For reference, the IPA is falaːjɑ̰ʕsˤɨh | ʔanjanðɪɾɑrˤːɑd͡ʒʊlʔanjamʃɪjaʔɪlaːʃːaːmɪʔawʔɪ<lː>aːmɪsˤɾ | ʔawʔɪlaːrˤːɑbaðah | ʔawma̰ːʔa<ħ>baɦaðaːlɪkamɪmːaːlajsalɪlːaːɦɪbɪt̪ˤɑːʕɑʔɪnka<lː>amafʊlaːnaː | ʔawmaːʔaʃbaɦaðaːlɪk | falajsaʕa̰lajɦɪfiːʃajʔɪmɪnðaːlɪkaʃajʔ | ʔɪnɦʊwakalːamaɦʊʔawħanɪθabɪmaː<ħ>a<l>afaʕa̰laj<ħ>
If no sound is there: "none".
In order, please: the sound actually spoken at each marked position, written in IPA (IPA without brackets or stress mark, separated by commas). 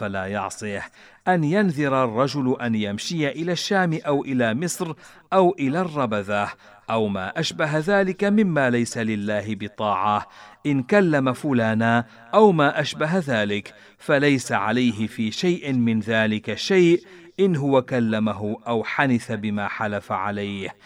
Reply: l, ʃ, lː, ħ, l, h